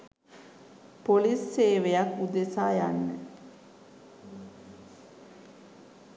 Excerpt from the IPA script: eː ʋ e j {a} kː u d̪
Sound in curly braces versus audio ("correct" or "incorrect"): correct